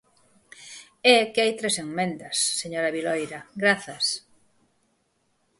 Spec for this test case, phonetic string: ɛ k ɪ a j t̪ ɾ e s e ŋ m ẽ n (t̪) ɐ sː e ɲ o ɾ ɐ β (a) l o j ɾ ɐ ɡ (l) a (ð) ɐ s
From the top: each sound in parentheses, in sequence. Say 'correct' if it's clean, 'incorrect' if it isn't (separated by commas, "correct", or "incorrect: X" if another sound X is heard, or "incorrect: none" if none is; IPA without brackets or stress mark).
incorrect: d̪, incorrect: i, incorrect: ɾ, incorrect: θ